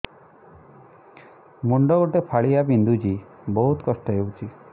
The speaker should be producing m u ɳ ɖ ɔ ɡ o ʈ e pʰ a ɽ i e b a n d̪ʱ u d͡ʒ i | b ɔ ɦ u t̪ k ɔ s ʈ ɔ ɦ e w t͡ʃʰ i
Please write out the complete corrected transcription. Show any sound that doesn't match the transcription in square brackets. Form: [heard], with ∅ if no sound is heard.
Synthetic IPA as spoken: m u ɳ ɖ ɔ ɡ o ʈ e pʰ a [ɭ] i [a] b [i] n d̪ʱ u d͡ʒ i | b ɔ ɦ u t̪ k ɔ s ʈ ɔ ɦ e w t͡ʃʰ i